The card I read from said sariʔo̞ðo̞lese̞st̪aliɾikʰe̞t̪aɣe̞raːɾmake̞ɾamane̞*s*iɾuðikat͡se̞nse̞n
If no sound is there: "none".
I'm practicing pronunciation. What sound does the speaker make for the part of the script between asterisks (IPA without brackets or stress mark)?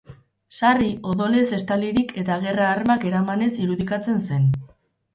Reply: s